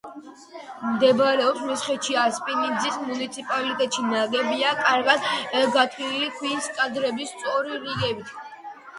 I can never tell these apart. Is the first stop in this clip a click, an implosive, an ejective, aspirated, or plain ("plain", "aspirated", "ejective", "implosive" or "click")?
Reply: plain